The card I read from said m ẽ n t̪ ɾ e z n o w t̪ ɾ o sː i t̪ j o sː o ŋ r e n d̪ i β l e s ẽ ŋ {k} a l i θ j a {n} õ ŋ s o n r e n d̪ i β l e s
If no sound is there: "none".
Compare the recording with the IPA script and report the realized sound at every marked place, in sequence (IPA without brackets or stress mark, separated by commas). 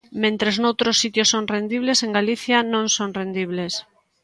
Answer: ɡ, n